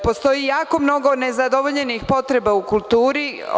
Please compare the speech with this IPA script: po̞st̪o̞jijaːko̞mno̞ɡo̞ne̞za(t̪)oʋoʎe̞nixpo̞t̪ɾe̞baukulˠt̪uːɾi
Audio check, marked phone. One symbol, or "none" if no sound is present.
d̪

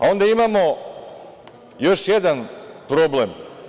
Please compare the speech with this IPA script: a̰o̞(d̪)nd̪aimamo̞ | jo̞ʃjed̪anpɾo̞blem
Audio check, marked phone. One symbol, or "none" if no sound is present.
none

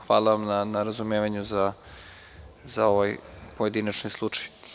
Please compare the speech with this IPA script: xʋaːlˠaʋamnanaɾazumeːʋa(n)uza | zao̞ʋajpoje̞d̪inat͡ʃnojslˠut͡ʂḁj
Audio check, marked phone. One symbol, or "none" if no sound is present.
ɲ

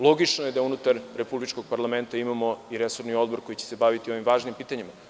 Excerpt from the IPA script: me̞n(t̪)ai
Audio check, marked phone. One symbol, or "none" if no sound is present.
t̪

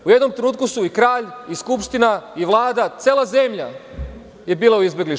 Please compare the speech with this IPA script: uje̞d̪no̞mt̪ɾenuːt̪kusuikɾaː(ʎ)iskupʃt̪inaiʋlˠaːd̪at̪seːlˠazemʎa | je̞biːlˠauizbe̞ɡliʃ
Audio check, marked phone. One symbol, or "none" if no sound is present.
ʎ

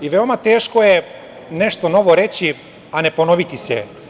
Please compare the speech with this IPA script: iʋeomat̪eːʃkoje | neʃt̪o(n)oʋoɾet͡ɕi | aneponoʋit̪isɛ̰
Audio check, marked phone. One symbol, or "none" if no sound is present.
n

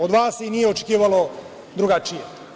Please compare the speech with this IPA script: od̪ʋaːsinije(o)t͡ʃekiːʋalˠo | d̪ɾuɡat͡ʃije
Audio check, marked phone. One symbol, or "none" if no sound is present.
o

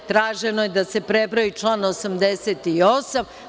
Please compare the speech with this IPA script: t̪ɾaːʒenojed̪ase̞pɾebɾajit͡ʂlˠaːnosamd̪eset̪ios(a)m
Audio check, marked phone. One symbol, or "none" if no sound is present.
a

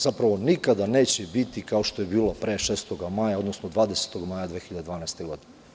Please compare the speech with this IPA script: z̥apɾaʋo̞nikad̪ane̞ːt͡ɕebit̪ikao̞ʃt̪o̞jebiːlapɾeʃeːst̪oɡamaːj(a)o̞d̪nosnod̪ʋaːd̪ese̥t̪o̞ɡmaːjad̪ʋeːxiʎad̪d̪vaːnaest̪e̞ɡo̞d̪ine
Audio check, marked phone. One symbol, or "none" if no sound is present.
a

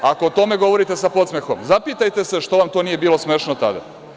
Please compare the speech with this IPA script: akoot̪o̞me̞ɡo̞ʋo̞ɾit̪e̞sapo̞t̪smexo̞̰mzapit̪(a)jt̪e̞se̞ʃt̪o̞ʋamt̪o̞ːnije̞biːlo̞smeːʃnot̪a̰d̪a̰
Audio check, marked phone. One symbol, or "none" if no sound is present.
a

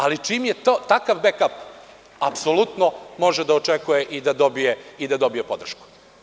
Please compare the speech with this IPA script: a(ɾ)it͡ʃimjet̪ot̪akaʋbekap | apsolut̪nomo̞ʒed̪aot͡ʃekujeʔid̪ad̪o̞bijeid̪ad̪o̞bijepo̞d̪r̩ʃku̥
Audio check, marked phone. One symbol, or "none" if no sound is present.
l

